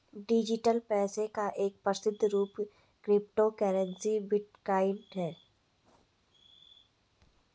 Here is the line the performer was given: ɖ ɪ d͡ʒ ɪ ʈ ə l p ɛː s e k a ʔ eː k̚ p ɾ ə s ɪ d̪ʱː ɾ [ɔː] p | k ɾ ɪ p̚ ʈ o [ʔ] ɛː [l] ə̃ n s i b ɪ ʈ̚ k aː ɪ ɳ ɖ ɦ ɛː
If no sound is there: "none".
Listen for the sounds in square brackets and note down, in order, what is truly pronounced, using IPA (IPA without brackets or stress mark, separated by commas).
uː, k, ɾ